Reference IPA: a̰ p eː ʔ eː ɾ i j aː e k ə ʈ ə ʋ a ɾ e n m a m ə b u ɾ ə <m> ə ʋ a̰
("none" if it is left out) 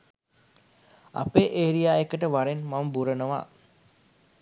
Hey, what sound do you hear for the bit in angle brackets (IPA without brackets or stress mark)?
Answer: n